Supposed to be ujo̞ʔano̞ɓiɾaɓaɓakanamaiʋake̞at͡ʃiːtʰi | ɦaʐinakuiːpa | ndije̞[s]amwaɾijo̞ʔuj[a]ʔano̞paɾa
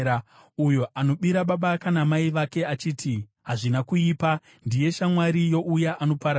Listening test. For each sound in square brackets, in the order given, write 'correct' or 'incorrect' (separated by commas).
incorrect, correct